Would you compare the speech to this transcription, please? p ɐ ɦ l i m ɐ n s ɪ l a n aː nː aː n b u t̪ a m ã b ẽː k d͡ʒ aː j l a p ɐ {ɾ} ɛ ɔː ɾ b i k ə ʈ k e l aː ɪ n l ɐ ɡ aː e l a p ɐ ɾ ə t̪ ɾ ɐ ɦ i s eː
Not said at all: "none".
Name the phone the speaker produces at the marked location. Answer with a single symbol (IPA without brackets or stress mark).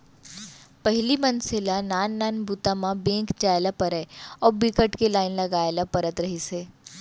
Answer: ɾ